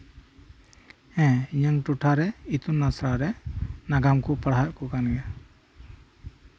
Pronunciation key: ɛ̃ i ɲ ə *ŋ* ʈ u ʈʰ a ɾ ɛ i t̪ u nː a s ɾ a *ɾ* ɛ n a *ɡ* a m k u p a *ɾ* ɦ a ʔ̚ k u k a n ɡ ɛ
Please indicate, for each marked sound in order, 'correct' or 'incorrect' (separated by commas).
correct, correct, correct, incorrect